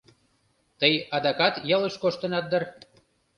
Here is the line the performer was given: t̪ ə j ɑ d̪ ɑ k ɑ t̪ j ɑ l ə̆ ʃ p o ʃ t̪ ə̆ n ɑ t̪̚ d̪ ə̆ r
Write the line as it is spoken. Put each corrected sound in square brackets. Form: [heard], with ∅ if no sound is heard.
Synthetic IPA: t̪ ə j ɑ d̪ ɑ k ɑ t̪ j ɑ l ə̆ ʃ [k] o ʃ t̪ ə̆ n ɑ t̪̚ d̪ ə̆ r